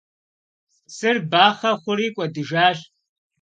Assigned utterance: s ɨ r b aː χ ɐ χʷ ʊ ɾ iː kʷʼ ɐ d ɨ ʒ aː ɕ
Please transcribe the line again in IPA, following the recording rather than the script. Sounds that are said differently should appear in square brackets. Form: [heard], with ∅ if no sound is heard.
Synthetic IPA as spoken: s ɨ r b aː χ ɐ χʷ ʊ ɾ iː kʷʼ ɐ d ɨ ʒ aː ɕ